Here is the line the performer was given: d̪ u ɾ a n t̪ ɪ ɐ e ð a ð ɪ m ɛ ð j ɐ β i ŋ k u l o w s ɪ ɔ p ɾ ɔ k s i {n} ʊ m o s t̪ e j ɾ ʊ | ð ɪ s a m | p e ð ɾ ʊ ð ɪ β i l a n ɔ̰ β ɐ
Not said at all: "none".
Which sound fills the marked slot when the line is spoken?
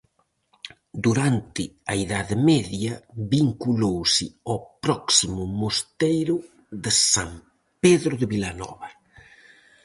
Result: m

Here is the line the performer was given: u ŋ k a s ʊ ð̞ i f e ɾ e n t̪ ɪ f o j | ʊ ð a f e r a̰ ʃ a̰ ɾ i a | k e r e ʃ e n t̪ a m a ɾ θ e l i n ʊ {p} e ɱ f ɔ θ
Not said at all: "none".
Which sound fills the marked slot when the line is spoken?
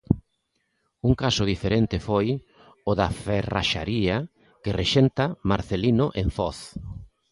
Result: ʔ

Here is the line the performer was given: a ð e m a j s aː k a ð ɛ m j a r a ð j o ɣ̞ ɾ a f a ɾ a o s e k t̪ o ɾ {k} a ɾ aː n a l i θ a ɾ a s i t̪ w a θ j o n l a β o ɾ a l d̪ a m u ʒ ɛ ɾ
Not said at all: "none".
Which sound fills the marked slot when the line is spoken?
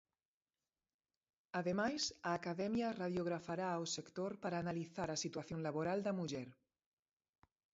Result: p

